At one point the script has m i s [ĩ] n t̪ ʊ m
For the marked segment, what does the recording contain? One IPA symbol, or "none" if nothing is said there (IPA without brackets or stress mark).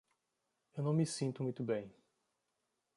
ĩ